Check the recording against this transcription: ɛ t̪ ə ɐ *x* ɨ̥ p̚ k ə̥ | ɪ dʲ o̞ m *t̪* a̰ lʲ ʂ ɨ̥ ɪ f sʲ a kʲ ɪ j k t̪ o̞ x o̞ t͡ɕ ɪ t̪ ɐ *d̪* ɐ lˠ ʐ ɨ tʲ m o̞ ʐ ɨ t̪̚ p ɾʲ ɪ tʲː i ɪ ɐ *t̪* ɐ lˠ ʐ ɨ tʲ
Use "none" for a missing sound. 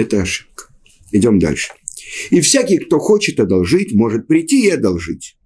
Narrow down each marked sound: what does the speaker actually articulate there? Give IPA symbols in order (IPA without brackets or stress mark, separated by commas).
ʂ, d̪, d̪, d̪